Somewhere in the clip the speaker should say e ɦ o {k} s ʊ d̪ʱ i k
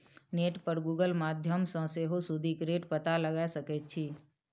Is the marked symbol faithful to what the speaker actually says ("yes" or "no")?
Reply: no